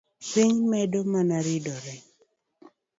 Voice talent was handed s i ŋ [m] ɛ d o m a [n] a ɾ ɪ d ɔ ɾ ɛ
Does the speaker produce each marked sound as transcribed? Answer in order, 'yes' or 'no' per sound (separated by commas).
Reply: yes, yes